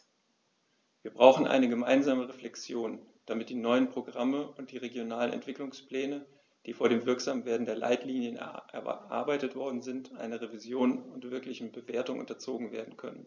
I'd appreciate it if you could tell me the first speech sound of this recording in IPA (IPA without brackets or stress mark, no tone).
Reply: v